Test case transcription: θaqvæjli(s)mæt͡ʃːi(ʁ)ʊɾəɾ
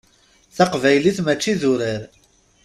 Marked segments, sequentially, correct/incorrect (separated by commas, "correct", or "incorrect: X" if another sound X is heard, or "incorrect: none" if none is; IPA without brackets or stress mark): incorrect: θ, incorrect: ð